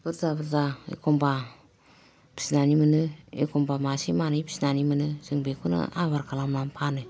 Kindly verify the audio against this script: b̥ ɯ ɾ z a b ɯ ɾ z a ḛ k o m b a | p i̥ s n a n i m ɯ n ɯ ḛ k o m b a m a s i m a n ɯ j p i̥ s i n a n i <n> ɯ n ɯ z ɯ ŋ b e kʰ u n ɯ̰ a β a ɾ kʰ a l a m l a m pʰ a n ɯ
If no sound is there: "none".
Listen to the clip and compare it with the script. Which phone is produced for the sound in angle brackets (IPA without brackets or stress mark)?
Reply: m